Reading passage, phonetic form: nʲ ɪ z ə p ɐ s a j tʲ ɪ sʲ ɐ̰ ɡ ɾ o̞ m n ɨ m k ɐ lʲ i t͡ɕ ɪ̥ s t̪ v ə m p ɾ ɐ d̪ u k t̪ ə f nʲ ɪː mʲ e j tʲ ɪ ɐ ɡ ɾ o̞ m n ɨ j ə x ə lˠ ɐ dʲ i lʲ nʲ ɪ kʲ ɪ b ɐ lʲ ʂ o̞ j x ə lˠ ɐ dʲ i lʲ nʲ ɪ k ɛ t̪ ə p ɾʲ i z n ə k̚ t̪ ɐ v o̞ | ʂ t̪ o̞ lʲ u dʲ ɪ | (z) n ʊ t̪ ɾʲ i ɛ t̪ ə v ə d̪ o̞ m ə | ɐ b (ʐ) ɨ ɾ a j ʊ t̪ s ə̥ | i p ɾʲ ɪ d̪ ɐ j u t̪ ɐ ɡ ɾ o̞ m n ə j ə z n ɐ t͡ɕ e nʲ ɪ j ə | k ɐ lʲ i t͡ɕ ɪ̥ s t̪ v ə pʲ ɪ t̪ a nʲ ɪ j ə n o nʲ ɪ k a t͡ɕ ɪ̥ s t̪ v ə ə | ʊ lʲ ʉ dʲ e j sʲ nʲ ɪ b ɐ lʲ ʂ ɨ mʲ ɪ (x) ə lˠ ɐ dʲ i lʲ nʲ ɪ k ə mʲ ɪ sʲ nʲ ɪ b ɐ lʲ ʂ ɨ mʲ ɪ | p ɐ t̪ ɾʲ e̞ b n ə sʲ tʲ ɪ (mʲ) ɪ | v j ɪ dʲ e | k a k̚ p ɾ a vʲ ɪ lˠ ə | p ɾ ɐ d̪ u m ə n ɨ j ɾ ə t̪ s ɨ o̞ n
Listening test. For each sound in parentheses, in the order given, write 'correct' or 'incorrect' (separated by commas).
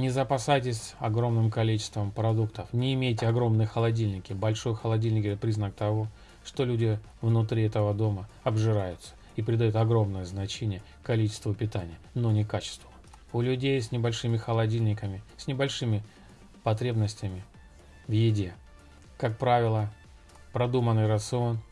incorrect, correct, correct, correct